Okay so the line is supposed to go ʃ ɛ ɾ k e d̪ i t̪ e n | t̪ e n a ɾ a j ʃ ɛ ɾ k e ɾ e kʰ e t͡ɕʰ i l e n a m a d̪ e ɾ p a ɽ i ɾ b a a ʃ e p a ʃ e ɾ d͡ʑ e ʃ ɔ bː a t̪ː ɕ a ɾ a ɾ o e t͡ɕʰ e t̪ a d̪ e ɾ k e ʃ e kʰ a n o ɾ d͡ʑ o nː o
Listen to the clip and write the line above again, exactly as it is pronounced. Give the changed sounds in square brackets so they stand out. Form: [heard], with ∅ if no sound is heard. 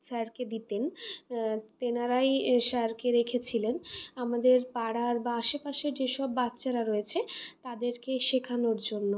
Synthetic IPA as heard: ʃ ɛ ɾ k e d̪ i t̪ e n | t̪ e n a ɾ a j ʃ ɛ ɾ k e ɾ e kʰ e t͡ɕʰ i l e n a m a d̪ e ɾ p a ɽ [a] ɾ b a a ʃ e p a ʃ e ɾ d͡ʑ e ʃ ɔ bː a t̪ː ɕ a ɾ a ɾ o e t͡ɕʰ e t̪ a d̪ e ɾ k e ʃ e kʰ a n o ɾ d͡ʑ o nː o

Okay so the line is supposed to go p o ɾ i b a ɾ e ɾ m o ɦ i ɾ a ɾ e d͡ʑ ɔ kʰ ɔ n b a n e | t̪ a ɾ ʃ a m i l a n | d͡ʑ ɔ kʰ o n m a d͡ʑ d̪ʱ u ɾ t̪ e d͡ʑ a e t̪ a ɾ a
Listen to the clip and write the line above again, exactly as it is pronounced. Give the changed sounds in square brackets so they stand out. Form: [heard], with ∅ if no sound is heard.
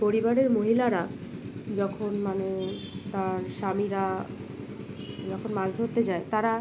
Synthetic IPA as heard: p o ɾ i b a ɾ e ɾ m o ɦ i [l] a ɾ [a] d͡ʑ ɔ kʰ [o] n [m] a n e | t̪ a ɾ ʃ a m i [ɾ] a [∅] | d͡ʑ ɔ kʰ o n m a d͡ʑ d̪ʱ [o] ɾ t̪ e d͡ʑ a e t̪ a ɾ a

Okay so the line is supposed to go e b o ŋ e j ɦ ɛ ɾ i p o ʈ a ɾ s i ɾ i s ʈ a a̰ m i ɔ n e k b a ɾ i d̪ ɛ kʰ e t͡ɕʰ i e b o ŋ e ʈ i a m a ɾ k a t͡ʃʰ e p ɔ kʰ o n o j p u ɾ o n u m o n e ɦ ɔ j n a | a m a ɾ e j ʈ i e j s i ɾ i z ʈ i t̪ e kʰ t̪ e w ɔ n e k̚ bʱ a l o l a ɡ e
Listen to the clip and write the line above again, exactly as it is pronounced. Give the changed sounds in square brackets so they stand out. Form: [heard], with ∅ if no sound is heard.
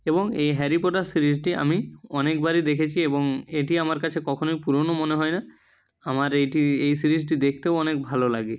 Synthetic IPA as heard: e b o ŋ e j ɦ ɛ ɾ i p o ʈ a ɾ s i ɾ i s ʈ [i] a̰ m i ɔ n e k b a ɾ i d̪ [e] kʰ e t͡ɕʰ i e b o ŋ e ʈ i a m a ɾ k a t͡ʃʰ e [k] ɔ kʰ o n o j p u ɾ o n [o] m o n e ɦ ɔ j n a | a m a ɾ e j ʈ i e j s i ɾ i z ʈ i [d̪] e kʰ t̪ e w ɔ n e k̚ bʱ a l o l a ɡ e

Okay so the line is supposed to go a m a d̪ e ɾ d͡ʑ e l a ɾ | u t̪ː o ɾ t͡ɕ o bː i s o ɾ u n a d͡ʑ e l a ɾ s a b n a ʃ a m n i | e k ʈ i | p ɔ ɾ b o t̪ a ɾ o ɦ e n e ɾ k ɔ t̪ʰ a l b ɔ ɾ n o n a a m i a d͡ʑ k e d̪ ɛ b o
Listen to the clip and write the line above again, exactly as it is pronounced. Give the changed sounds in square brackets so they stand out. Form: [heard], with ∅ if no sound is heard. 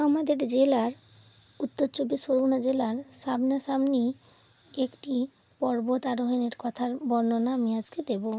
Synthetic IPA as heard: a m a d̪ e ɾ d͡ʑ e l a ɾ | u t̪ː o ɾ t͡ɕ o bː i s o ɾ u n a d͡ʑ e l a ɾ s a b n a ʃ a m n i | e k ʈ i | p ɔ ɾ b o t̪ a ɾ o ɦ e n e ɾ k ɔ t̪ʰ a [ɾ] b ɔ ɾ n o n a a m i a d͡ʑ k e d̪ [e] b o

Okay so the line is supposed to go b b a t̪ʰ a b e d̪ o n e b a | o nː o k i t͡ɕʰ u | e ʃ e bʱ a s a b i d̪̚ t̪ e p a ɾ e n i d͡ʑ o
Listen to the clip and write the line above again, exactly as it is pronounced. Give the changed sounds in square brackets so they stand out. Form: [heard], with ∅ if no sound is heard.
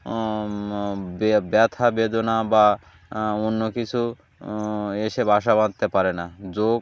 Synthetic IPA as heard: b b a t̪ʰ a b e d̪ o n [a] b a | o nː o k i t͡ɕʰ u | e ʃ e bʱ a [ʃ] a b [a] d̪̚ t̪ e p a ɾ e n [a] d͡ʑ o

